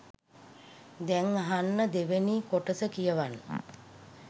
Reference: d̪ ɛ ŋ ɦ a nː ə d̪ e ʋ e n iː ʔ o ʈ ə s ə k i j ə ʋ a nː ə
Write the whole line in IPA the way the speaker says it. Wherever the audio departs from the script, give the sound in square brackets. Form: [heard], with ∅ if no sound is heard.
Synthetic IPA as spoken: d̪ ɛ ŋ ɦ a nː ə d̪ e ʋ e n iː [k] o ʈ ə s ə k i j ə ʋ a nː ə